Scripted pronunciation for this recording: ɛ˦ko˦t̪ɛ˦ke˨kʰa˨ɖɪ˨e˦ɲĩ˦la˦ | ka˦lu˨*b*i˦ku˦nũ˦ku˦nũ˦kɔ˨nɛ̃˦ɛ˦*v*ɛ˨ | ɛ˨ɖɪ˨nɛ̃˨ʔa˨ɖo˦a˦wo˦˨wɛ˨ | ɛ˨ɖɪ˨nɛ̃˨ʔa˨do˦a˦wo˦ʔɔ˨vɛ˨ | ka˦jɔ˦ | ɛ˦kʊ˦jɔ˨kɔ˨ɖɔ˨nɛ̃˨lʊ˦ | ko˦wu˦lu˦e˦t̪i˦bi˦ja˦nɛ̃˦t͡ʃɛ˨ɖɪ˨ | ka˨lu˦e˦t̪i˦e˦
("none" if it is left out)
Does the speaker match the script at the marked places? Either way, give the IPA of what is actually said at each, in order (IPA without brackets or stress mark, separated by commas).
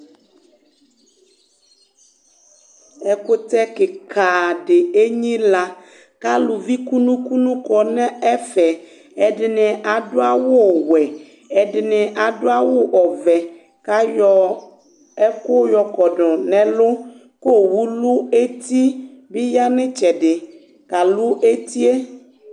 v, f